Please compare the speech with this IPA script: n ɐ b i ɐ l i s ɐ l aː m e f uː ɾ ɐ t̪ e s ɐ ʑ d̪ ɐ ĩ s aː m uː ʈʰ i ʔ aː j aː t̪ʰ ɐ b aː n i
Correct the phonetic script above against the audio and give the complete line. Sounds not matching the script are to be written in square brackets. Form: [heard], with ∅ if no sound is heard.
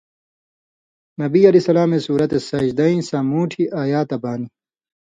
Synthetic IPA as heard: n ɐ b i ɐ l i s ɐ l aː m e [s] uː ɾ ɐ t̪ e s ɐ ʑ d̪ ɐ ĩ s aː m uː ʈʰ i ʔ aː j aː [t̪] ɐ b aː n i